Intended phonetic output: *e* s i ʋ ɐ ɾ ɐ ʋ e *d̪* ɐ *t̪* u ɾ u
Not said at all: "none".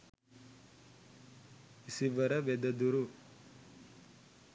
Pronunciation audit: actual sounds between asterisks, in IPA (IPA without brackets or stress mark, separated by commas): i, d̪, d̪